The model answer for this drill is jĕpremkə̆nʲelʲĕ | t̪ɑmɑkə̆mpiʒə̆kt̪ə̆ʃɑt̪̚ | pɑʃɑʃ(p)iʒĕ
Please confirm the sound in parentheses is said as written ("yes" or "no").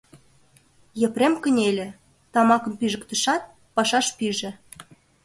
yes